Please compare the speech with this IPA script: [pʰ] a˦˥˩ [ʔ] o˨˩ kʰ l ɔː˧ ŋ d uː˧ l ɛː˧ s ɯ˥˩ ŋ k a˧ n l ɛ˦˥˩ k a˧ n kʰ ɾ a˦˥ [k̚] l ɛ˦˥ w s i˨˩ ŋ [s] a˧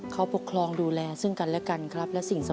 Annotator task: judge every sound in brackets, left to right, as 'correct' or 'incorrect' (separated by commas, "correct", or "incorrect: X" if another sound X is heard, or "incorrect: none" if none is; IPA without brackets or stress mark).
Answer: incorrect: kʰ, incorrect: p, incorrect: p̚, correct